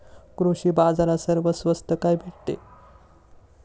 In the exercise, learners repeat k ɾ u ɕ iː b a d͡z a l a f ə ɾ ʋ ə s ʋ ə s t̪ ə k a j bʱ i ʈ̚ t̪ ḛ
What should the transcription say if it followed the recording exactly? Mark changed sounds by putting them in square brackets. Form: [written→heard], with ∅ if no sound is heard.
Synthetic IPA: k ɾ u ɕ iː b a d͡z a [l→ɾ] a [f→s] ə ɾ ʋ ə s ʋ ə s t̪ ə k a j bʱ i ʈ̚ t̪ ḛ